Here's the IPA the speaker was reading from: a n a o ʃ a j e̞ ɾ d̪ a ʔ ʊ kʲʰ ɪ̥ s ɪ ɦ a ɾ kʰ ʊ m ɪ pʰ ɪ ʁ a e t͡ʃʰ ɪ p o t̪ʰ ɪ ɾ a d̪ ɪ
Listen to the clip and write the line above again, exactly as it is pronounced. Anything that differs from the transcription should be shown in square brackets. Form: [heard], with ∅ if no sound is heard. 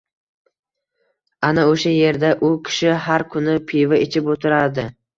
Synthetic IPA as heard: a n a o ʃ a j e̞ ɾ d̪ a ʔ ʊ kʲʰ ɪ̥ [ʃ] ɪ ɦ a ɾ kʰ ʊ [n] ɪ pʰ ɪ [v] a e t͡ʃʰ ɪ p o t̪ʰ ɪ ɾ a d̪ ɪ